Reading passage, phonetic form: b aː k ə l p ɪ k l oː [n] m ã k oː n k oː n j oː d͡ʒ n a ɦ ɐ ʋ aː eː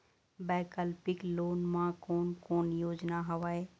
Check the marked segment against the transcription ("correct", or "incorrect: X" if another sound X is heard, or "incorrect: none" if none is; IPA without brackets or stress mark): correct